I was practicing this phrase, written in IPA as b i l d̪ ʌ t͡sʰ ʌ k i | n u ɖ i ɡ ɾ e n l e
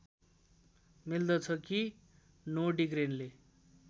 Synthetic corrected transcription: m i l d̪ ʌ t͡sʰ ʌ k i | n o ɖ i ɡ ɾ e n l e